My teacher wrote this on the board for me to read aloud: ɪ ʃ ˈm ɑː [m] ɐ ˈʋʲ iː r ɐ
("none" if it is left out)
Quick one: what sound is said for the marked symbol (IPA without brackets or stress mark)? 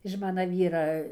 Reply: n